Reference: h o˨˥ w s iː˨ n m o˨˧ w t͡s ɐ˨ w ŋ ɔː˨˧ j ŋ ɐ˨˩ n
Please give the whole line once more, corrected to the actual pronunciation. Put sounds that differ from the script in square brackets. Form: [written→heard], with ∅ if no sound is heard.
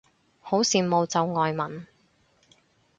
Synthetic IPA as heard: h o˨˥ w s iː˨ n m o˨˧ w t͡s ɐ˨ w ŋ ɔː˨˧ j [ŋ→m] ɐ˨˩ n